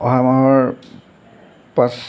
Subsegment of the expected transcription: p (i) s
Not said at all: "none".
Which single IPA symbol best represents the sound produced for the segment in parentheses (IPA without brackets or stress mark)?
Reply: a